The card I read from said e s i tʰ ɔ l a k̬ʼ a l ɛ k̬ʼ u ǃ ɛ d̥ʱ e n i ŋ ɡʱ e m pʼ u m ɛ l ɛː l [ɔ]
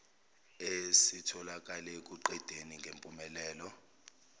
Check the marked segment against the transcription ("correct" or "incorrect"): correct